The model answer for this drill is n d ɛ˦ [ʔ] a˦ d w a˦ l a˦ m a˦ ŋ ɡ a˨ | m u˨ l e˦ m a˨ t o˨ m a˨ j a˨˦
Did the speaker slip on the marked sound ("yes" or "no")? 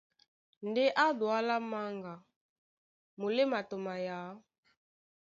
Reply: no